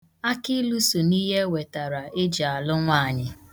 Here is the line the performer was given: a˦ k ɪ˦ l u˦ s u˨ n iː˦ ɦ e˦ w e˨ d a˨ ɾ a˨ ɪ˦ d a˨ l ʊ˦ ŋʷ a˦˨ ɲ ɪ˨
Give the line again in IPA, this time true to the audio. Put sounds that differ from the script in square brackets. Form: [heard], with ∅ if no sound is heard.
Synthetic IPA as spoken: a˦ k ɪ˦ l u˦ s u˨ n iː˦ ɦ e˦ w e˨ [t] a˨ ɾ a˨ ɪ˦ [d͡ʒ] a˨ l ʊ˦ ŋʷ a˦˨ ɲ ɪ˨